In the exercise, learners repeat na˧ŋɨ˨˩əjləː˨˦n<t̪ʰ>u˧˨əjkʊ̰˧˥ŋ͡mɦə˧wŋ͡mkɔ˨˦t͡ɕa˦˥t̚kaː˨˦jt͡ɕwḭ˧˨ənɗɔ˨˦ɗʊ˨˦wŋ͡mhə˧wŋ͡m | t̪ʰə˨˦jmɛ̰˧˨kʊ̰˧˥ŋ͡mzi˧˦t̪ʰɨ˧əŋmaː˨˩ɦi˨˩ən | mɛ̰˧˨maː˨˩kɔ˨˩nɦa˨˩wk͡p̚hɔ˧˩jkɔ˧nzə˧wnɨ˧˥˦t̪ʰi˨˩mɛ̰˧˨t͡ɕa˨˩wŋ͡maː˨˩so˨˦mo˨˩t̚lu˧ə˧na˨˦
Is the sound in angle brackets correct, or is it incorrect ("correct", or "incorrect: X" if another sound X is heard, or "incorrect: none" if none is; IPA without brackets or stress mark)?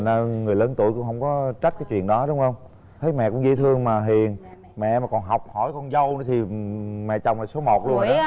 incorrect: t̪